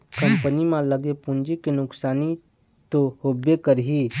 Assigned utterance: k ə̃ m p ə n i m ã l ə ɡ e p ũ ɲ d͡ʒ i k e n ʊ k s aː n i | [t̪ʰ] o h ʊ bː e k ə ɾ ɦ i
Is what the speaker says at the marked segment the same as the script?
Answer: no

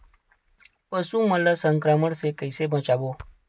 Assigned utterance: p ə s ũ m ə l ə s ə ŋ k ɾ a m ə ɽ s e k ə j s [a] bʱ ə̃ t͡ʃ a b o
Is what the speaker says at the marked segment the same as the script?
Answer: no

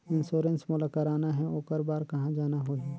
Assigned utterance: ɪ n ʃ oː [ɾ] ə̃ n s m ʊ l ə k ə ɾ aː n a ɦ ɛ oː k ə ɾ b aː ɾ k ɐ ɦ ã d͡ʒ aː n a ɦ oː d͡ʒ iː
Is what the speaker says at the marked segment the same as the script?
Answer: yes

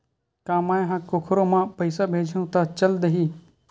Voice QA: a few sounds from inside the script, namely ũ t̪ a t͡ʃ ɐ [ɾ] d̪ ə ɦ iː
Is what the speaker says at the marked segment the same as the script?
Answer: no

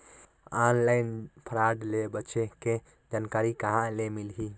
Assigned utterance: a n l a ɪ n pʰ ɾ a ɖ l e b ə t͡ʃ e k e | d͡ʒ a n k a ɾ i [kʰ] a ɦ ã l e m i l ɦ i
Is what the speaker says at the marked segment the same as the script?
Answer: no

